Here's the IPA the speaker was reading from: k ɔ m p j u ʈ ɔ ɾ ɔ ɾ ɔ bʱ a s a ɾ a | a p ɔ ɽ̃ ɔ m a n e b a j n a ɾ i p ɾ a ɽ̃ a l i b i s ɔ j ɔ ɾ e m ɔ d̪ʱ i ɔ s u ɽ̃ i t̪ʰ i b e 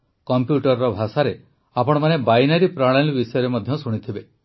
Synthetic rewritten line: k ɔ m p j u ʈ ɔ ɾ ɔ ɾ ɔ bʱ a s a ɾ e | a p ɔ ɽ̃ ɔ m a n e b a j n a ɾ i p ɾ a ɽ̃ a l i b i s ɔ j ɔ ɾ e m ɔ d̪ʱ j ɔ s u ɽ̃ i t̪ʰ i b e